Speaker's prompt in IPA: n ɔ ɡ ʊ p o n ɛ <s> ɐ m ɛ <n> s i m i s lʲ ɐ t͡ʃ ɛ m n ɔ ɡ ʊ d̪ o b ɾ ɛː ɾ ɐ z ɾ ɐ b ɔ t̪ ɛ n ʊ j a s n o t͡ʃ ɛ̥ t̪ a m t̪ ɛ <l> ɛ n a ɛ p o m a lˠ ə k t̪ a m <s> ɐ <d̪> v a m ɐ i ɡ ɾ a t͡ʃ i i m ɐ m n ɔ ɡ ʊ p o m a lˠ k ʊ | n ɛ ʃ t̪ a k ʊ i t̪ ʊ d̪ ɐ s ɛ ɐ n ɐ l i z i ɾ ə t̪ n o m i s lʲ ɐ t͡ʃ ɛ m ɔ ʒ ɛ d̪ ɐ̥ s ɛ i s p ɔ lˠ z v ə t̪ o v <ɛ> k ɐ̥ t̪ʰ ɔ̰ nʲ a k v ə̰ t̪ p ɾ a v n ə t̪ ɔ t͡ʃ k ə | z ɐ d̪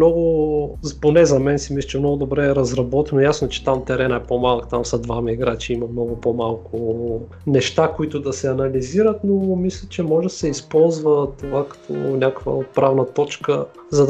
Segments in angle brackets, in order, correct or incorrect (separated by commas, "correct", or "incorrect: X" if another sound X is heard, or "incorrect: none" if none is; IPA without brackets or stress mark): incorrect: z, correct, incorrect: ɾ, correct, correct, incorrect: a